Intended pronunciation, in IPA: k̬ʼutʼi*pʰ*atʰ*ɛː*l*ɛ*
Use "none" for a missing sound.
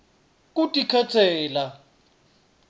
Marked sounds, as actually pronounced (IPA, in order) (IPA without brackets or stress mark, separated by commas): kʰ, ɛː, a